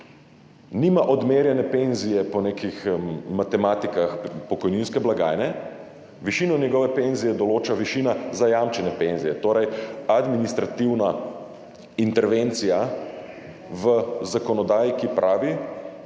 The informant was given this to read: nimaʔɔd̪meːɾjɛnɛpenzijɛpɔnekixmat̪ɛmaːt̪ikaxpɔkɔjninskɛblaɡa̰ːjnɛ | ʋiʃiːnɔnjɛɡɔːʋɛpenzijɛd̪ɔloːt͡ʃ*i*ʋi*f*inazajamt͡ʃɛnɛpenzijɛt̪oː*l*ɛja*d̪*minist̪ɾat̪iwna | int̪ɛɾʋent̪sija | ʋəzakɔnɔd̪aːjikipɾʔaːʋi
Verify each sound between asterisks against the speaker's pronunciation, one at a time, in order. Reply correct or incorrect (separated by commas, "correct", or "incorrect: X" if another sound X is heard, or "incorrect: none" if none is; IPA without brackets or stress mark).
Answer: incorrect: a, incorrect: ʃ, incorrect: ɾ, correct